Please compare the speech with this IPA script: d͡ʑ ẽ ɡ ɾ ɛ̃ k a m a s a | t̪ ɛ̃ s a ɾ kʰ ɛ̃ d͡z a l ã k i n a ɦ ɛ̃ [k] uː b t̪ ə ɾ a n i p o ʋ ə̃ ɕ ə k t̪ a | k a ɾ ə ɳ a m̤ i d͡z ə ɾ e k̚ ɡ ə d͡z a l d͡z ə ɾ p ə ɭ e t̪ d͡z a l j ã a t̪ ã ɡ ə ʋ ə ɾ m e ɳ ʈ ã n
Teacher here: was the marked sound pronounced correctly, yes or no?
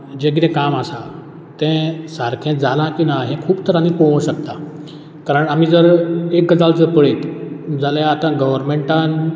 no